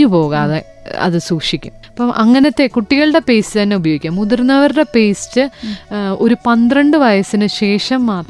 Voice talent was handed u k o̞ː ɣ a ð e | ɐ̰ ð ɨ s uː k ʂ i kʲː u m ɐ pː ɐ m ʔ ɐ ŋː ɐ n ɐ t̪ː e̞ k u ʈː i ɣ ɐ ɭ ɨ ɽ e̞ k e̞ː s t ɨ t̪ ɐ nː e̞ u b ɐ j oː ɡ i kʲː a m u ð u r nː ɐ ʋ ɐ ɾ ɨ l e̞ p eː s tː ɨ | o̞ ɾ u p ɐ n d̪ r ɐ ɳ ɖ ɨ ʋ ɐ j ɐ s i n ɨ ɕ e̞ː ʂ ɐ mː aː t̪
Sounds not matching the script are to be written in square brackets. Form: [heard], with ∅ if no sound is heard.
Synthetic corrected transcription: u [p] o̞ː ɣ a ð e | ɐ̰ ð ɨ s uː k ʂ i kʲː u m ɐ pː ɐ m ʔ ɐ ŋː ɐ n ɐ t̪ː e̞ k u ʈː i ɣ ɐ ɭ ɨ ɽ e̞ [p] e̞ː s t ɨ t̪ ɐ nː e̞ u b ɐ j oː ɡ i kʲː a m u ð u r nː ɐ ʋ ɐ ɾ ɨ [ɽ] e̞ p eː s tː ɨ | o̞ ɾ u p ɐ n d̪ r ɐ ɳ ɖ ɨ ʋ ɐ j ɐ s i n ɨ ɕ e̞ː ʂ ɐ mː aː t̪